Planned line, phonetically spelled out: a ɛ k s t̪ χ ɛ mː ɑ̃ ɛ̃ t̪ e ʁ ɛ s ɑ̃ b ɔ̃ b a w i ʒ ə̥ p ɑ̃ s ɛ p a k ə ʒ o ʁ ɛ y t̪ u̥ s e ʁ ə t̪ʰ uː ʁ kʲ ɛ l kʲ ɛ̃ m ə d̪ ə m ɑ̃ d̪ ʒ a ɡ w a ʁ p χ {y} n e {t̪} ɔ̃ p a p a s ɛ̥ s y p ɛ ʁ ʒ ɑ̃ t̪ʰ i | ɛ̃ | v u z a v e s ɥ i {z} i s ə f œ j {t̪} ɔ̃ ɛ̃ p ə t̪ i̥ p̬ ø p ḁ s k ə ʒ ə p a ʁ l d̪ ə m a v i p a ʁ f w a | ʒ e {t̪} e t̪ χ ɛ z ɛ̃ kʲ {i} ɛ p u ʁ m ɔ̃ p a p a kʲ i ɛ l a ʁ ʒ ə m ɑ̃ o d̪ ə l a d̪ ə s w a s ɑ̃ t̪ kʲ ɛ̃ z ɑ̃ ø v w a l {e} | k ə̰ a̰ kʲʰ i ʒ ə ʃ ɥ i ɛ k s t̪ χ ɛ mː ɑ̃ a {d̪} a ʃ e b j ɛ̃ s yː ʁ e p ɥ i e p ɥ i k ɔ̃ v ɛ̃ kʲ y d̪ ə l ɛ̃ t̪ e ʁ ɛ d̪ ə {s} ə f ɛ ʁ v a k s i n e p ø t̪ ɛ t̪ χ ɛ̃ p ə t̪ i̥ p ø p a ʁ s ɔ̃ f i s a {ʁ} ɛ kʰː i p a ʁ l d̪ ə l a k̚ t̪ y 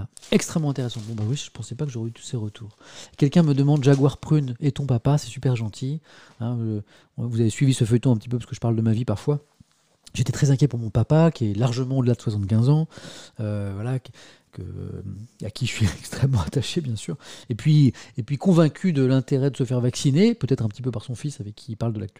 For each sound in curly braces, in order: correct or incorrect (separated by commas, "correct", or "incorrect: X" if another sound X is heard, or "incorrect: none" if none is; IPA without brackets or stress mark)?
correct, correct, incorrect: v, correct, correct, incorrect: j, incorrect: a, incorrect: t̪, correct, incorrect: v